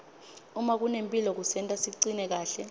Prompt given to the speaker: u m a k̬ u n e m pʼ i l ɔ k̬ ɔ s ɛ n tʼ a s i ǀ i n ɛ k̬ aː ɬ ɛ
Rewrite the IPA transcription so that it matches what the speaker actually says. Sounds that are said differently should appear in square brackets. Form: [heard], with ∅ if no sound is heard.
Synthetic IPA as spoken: u m a k̬ u n e m pʼ i l ɔ k̬ [u] s ɛ n tʼ a s i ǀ i n ɛ k̬ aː ɬ ɛ